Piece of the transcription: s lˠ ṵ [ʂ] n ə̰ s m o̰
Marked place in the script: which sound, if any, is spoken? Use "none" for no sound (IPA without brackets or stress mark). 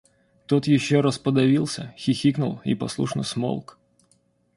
ʂ